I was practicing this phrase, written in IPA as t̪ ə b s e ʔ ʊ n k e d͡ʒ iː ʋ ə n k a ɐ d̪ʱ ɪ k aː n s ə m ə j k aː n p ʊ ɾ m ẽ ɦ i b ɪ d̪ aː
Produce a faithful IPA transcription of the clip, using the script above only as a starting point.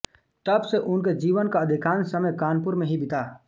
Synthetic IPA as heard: t̪ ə b s e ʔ ʊ n k e d͡ʒ iː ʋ ə n k a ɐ d̪ʱ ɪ k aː n s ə m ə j k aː n p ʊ ɾ m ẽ ɦ i b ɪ t̪ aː